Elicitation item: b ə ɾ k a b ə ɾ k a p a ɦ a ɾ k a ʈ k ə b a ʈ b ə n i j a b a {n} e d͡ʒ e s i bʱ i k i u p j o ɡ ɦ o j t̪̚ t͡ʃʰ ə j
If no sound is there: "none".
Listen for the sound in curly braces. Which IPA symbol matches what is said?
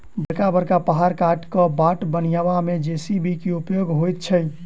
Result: m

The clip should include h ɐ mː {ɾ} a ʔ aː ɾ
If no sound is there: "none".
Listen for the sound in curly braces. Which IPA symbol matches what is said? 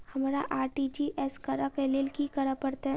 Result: ɾ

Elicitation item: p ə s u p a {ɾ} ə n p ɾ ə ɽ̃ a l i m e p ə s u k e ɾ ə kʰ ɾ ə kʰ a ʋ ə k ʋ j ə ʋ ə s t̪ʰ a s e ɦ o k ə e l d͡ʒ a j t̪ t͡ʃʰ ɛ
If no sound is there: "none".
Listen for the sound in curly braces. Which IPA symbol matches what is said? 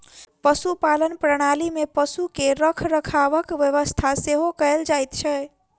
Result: l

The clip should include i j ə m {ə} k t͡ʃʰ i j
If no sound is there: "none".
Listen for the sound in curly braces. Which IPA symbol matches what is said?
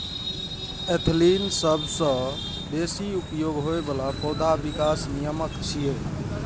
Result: ə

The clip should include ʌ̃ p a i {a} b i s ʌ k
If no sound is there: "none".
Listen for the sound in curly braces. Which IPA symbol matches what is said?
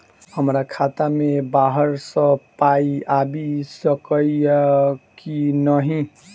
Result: a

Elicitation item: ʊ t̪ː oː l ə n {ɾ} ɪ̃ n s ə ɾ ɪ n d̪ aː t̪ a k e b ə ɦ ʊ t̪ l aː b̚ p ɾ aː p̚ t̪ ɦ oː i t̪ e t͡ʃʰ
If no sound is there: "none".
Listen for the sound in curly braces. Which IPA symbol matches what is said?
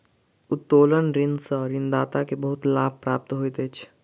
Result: ɾ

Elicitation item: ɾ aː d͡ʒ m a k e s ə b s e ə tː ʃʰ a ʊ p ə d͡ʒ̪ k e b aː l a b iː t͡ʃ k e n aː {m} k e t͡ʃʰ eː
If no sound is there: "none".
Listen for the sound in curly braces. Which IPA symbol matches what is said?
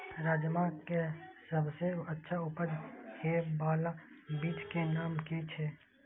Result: m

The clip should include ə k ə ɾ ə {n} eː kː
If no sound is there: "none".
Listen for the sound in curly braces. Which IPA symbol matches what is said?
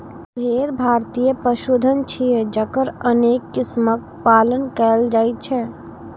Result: n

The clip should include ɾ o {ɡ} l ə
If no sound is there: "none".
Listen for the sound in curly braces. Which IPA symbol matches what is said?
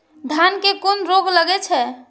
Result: ɡ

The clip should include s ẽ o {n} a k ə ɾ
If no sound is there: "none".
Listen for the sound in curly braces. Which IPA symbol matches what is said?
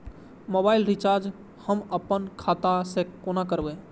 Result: n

